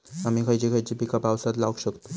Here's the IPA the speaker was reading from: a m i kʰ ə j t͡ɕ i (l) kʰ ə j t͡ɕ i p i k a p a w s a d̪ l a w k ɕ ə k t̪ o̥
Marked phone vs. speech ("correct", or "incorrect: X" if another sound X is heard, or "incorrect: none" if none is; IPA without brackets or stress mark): incorrect: none